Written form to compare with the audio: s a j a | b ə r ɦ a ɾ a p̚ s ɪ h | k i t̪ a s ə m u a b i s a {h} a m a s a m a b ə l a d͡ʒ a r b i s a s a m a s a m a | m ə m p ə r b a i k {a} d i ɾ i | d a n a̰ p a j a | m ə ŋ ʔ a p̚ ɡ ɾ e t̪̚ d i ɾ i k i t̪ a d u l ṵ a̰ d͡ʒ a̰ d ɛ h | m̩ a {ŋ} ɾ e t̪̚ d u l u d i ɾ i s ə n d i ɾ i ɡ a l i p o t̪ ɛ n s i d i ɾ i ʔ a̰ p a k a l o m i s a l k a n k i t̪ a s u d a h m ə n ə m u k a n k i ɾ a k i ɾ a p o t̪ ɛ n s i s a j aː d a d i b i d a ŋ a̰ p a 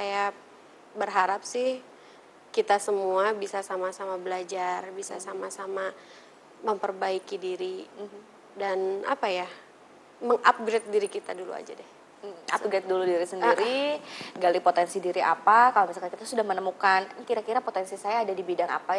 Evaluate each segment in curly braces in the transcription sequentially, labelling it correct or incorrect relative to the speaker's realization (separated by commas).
incorrect, incorrect, incorrect